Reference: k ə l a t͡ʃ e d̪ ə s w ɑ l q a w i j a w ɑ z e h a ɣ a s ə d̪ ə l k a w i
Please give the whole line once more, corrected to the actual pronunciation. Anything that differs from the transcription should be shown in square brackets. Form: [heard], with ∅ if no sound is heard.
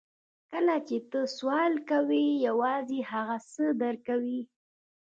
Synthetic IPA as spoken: k ə l a t͡ʃ e [t̪] ə s w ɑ l [k] a w i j a w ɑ z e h a ɣ a s ə d̪ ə [ɾ] k a w i